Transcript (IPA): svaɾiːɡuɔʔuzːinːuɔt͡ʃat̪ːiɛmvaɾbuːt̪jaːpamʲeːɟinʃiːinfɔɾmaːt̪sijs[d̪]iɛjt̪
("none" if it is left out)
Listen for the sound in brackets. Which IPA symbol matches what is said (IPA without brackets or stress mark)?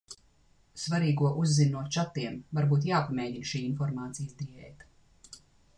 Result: d̪